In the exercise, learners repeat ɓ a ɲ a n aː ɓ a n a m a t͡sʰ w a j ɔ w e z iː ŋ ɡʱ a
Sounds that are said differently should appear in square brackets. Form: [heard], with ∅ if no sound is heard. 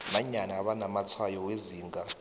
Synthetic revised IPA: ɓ a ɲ a n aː ɓ a n a m a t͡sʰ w a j ɔ w e z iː ŋ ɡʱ a